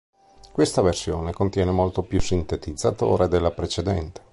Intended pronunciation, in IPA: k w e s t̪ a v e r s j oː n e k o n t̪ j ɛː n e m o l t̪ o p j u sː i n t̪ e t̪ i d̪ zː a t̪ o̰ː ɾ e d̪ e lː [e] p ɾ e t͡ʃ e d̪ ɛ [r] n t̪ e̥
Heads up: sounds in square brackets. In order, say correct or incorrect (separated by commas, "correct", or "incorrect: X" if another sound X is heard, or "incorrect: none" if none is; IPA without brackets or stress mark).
incorrect: a, incorrect: none